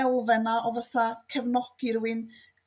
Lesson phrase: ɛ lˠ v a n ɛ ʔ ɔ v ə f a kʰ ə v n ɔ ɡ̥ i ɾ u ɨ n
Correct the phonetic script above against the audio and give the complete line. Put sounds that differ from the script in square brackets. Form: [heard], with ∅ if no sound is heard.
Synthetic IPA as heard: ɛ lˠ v [ɛ] n [a] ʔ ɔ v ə [θ] a kʰ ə v n ɔ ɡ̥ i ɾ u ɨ n